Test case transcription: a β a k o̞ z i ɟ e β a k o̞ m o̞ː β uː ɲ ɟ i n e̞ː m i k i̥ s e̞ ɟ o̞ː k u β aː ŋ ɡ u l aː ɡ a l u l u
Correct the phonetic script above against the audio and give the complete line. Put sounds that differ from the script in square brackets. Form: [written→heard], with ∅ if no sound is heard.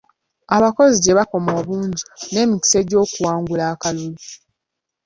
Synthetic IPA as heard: a β a k o̞ z i ɟ e β a k o̞ m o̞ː β uː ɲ ɟ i n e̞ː m i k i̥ s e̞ ɟ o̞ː k u [β→w] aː ŋ ɡ u l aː [ɡ→k] a l u l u